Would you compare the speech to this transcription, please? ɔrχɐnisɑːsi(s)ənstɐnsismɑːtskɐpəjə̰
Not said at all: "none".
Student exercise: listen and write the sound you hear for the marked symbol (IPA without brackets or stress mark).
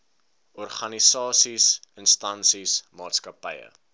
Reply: s